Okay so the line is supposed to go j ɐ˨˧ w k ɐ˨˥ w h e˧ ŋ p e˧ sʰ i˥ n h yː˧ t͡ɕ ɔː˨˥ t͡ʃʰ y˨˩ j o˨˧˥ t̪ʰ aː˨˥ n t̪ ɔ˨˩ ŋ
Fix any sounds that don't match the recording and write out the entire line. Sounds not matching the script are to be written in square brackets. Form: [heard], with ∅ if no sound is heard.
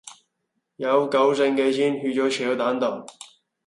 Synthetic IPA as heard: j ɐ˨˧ w k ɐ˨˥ w [s] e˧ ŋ [k] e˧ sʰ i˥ n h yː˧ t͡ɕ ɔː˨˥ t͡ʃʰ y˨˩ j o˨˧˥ [t̪] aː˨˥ n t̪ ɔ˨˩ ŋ